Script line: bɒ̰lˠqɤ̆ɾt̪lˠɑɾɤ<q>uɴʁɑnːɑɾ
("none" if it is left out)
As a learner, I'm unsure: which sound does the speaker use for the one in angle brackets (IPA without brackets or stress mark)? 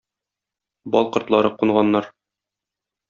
q